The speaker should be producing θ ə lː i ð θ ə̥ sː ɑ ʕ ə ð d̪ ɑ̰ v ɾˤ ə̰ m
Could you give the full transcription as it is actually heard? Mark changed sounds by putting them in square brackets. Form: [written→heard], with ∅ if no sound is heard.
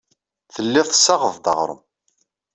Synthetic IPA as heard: θ ə lː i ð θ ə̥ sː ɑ [ʕ→ʁ] ə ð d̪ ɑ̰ [v→ʁ] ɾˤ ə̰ m